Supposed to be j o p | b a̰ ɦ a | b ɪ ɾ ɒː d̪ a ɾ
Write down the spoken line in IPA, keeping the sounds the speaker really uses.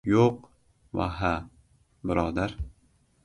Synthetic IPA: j o q | v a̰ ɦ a | b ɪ ɾ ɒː d̪ a ɾ